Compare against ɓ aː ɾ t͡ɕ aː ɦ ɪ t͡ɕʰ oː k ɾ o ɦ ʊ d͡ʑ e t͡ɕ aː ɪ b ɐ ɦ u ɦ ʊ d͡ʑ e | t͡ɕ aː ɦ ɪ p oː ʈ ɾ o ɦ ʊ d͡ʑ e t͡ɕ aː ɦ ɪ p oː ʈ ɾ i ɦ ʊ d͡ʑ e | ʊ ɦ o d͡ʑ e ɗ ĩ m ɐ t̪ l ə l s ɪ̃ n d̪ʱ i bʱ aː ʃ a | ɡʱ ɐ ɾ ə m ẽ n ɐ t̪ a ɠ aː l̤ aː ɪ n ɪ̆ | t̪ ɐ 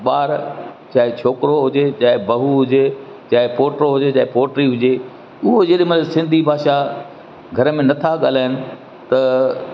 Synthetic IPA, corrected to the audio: ɓ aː ɾ t͡ɕ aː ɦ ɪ t͡ɕʰ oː k ɾ o ɦ ʊ d͡ʑ e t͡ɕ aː ɪ b ɐ ɦ u ɦ ʊ d͡ʑ e | t͡ɕ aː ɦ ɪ p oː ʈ ɾ o ɦ ʊ d͡ʑ e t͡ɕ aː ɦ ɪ p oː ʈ ɾ i ɦ ʊ d͡ʑ e | ʊ ɦ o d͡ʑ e ɗ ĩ m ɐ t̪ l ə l s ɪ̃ n d̪ʱ i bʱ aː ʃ a | ɡʱ ɐ ɾ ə m ẽ n ɐ t̪ʰ a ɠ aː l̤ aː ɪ n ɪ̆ | t̪ ɐ